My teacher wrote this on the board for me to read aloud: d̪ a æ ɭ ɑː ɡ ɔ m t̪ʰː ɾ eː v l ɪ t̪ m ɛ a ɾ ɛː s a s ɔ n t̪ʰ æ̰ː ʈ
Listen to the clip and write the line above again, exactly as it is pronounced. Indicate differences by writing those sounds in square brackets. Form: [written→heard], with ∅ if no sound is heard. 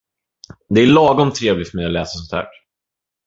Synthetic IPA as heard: d̪ [a→ɛ] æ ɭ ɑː ɡ ɔ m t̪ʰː ɾ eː v l ɪ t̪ m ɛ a [ɾ→l] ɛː s a s ɔ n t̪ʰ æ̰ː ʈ